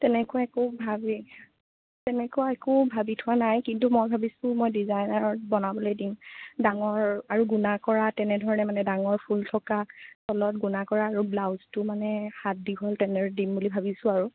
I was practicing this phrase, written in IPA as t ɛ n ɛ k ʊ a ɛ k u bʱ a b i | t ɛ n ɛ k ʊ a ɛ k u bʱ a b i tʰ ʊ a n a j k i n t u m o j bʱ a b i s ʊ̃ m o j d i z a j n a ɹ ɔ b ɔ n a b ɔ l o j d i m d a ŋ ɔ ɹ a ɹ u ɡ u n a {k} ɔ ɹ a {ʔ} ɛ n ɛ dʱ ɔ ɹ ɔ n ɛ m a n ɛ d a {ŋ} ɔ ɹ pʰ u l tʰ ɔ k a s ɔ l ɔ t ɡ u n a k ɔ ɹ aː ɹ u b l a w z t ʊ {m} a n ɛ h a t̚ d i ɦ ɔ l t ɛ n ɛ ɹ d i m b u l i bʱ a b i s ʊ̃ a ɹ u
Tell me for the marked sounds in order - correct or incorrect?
correct, incorrect, correct, correct

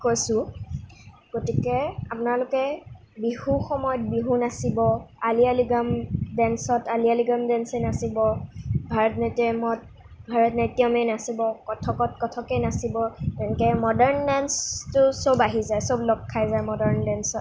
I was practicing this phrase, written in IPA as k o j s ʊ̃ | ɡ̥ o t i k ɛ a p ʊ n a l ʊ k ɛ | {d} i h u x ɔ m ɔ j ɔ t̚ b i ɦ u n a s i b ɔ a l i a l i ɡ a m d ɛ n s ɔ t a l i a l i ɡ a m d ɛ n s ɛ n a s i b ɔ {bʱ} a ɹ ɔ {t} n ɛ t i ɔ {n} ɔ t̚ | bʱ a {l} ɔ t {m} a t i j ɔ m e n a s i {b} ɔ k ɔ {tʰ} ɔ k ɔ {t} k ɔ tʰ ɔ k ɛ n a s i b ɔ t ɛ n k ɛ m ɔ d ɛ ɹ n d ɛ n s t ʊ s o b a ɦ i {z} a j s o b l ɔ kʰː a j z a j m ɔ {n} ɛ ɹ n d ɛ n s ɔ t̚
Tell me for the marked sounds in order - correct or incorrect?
incorrect, correct, correct, incorrect, incorrect, incorrect, correct, correct, correct, correct, incorrect

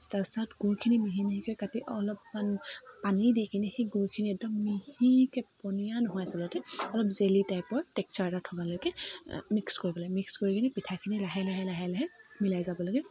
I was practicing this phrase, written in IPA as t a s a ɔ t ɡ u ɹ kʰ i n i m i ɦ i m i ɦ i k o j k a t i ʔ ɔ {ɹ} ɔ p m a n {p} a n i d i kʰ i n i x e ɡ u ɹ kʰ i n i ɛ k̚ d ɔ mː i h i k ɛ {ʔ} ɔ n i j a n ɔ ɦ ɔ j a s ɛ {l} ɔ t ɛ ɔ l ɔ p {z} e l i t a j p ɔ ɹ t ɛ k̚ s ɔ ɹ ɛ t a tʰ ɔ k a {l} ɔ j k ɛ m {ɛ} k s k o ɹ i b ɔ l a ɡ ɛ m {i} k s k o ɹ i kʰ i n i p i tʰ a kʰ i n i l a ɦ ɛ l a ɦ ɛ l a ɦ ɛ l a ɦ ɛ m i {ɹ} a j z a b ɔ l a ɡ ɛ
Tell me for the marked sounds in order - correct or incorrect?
incorrect, correct, incorrect, correct, correct, correct, incorrect, correct, incorrect

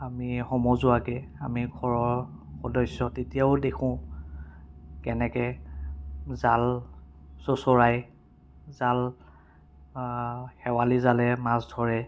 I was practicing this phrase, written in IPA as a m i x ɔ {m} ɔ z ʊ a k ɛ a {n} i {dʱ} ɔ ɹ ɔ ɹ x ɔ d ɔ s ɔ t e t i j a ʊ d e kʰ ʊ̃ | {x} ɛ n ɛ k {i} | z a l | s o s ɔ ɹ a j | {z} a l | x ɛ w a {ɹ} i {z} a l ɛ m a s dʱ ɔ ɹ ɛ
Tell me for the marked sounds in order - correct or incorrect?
correct, incorrect, incorrect, incorrect, incorrect, correct, incorrect, correct

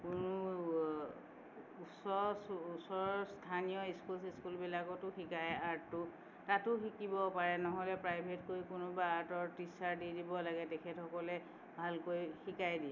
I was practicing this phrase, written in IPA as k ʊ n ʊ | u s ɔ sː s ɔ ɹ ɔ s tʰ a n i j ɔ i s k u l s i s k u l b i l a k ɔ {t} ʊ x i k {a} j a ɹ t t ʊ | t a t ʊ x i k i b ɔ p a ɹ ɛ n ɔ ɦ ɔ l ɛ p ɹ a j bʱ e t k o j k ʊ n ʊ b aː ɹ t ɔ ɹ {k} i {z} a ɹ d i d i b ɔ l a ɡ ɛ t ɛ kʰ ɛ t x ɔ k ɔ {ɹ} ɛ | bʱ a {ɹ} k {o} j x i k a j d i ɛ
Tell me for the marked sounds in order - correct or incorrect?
correct, correct, incorrect, incorrect, incorrect, incorrect, correct

